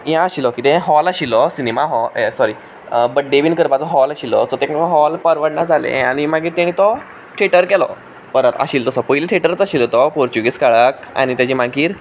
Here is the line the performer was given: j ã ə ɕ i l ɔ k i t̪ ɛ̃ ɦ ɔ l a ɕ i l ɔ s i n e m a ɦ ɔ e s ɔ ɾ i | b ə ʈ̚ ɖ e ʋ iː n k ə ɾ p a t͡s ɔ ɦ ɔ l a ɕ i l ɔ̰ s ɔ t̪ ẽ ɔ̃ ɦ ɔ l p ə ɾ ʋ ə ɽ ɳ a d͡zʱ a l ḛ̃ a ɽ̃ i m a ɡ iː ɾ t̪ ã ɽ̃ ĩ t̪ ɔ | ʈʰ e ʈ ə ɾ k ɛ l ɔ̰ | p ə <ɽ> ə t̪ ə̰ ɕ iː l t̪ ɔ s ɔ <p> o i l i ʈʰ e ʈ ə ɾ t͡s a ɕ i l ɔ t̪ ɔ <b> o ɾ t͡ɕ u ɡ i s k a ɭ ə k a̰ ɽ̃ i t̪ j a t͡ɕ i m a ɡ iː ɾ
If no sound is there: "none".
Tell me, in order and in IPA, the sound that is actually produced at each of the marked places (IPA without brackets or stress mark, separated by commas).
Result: ɾ, p, p